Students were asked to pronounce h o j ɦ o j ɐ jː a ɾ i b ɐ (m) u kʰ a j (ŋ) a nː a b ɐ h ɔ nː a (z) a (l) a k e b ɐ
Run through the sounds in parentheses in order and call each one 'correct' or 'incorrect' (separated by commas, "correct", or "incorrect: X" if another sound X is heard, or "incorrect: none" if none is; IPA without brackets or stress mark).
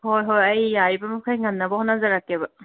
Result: correct, correct, correct, incorrect: ɾ